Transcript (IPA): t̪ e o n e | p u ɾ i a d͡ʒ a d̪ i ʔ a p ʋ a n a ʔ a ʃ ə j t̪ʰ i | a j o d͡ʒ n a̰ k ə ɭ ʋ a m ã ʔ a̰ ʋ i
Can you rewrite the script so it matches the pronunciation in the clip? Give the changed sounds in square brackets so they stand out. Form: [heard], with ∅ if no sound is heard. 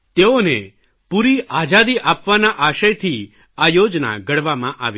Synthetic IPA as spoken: t̪ e o n e | p u ɾ i a d͡ʒ a d̪ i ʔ a p ʋ a n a ʔ a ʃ ə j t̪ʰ i | a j o d͡ʒ n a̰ [ɡ] ə [ɽ] ʋ a m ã ʔ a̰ ʋ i